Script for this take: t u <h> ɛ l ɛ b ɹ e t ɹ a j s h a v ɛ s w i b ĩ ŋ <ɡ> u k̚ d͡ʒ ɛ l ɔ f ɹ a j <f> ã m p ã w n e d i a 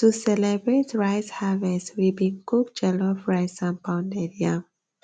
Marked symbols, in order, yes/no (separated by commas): no, no, no